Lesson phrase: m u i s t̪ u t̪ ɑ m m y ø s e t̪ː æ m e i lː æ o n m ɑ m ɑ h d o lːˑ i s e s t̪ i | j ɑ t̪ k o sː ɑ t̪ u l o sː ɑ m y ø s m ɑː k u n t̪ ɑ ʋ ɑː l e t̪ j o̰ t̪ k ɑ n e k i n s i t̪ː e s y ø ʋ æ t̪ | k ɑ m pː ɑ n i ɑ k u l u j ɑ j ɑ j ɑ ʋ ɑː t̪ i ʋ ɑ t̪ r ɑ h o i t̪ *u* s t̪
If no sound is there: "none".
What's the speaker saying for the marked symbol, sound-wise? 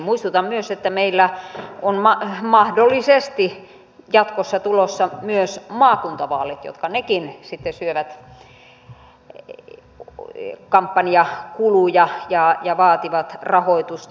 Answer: u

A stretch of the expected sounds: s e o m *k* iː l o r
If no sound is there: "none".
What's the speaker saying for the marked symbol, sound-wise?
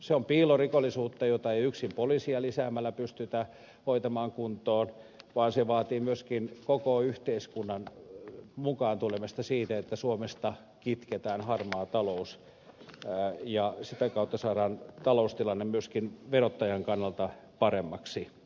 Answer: p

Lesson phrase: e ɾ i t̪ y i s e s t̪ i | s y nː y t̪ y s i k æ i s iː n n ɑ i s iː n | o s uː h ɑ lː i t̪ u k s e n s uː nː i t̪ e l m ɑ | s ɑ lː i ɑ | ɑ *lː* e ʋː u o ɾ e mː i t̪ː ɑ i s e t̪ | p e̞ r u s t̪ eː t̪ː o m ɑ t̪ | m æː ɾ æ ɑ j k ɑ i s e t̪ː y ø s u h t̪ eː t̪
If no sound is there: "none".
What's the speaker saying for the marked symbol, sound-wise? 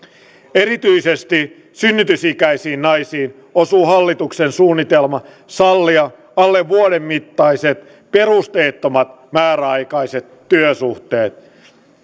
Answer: lː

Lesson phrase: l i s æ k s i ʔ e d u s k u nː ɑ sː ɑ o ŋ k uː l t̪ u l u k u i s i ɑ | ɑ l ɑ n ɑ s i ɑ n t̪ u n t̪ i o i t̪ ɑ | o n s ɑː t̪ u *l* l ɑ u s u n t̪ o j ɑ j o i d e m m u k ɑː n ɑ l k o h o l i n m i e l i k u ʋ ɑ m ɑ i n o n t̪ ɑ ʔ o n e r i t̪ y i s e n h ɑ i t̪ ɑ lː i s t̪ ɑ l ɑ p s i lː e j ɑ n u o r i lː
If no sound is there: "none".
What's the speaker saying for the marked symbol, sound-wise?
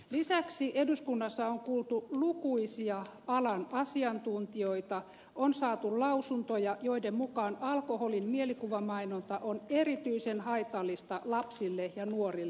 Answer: l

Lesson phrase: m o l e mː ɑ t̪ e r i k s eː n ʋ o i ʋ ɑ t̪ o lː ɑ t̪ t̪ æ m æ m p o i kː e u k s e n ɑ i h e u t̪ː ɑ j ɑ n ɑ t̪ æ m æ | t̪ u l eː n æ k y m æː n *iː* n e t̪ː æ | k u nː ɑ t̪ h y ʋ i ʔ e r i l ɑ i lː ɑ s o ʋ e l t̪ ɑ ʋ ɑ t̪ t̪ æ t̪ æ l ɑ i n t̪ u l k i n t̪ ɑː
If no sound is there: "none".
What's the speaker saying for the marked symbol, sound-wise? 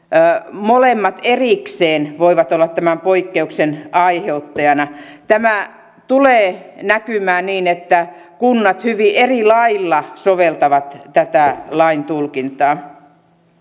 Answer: iː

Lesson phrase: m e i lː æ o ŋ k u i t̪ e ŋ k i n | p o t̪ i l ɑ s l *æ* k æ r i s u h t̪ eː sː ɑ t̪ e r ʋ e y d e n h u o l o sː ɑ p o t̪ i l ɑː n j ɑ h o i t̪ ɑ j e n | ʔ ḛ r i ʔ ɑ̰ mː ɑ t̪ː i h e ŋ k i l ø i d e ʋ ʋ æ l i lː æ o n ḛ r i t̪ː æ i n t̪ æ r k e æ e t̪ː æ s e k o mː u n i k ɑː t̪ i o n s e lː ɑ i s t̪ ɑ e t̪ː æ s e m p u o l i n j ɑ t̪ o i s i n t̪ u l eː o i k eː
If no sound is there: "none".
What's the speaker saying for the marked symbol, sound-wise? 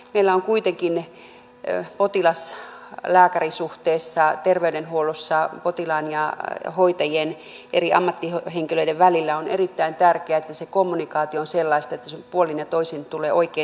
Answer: æː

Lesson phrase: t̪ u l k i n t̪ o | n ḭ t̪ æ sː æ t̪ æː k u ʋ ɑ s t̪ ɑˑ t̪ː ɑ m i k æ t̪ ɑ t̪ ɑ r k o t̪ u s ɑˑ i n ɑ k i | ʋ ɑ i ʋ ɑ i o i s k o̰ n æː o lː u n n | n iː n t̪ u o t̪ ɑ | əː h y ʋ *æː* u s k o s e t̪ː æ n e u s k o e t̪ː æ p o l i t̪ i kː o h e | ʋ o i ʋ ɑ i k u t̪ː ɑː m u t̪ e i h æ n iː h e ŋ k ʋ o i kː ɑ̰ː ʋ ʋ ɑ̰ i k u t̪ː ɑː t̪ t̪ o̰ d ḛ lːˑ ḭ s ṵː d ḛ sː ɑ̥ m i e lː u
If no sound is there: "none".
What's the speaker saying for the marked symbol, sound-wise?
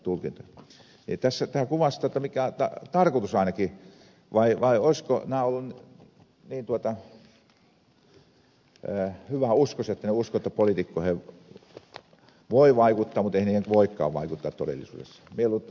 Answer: æ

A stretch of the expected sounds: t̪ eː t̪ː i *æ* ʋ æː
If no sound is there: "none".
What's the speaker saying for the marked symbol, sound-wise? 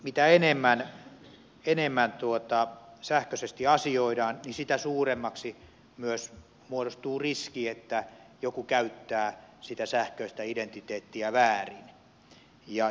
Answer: æ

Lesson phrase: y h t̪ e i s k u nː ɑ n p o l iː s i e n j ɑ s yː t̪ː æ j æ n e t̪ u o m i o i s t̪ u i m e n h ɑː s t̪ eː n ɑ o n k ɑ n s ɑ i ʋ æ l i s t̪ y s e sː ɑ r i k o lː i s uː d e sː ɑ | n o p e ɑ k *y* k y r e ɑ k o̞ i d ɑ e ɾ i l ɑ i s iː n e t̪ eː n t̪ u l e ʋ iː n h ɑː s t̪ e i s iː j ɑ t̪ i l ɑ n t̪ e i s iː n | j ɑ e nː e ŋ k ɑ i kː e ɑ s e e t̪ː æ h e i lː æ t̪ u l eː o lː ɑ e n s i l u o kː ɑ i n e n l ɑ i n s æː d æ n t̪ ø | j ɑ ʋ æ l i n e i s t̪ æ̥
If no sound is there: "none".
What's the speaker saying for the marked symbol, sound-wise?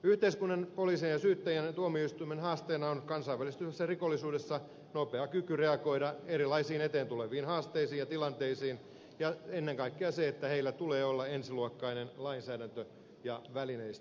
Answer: y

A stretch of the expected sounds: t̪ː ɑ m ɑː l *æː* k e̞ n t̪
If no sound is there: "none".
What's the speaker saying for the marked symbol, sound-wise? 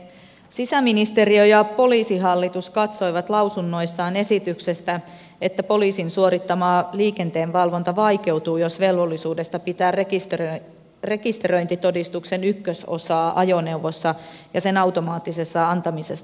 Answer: iː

